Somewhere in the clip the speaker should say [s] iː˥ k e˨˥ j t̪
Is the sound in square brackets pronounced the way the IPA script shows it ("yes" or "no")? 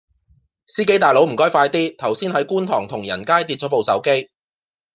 yes